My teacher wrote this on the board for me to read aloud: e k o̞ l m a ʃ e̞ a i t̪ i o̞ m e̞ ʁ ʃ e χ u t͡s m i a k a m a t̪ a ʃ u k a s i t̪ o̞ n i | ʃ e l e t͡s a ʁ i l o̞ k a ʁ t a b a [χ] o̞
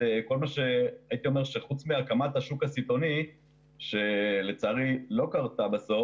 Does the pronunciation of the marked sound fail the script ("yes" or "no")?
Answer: yes